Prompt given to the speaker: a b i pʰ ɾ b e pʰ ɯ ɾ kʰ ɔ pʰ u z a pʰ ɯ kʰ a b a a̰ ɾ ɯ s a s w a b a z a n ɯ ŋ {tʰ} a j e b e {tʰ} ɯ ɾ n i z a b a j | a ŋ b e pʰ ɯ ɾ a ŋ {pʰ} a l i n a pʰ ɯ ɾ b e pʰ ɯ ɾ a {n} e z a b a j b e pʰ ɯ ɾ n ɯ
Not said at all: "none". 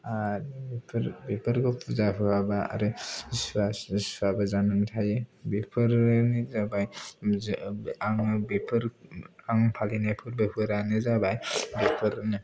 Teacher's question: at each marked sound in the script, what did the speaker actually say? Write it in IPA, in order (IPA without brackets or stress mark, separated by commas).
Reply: tʰ, pʰ, pʰ, n